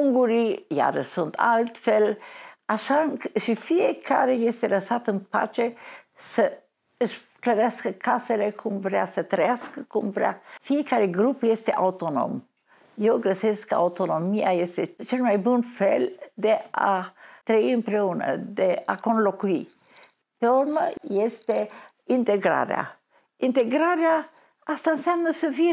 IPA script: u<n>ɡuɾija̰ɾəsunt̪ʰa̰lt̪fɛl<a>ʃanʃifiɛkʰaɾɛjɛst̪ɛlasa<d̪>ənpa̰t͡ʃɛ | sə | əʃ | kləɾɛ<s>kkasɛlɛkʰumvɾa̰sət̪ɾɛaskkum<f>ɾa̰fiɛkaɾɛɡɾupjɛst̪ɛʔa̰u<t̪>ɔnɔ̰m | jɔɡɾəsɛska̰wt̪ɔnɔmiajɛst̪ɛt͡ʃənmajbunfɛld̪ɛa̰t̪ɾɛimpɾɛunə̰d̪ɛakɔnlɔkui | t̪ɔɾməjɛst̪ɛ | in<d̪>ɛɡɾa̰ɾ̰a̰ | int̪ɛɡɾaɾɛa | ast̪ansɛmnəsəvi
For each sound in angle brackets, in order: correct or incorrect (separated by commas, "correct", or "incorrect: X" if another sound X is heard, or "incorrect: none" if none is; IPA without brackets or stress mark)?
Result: incorrect: ŋ, correct, incorrect: t̪, correct, incorrect: v, correct, incorrect: t̪